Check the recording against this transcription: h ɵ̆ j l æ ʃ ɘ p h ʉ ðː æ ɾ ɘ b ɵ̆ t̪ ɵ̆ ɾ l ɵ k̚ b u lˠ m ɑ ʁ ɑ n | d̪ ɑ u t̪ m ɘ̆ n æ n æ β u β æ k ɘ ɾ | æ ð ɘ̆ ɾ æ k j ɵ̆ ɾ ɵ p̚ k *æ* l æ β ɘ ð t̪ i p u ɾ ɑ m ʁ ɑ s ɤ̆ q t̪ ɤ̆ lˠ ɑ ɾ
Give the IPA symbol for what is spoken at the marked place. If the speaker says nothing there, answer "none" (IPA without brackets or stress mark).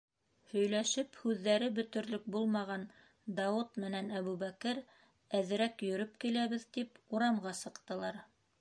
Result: i